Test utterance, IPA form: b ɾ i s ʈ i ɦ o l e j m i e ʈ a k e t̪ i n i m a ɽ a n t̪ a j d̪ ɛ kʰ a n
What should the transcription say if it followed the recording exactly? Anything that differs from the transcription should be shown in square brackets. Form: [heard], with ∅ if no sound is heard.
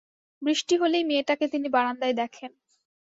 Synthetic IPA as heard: b ɾ i [ʃ] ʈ i ɦ o l e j m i e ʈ a k e t̪ i n i [b] a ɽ a n [d̪] a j d̪ ɛ kʰ [e] n